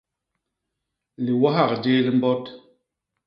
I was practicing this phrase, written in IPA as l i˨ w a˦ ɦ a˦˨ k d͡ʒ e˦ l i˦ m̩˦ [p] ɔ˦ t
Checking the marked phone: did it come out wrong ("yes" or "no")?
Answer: yes